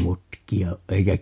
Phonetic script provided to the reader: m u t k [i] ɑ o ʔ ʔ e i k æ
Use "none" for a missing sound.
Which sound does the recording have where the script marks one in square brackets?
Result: i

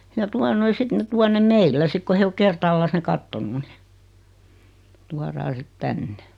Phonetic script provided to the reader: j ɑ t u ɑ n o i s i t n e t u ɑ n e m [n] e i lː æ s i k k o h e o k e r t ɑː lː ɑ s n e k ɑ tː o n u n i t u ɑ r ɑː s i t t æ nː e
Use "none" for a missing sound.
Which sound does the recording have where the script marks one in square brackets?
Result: m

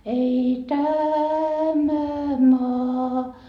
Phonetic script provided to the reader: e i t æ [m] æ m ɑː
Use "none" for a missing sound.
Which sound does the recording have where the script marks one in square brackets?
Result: m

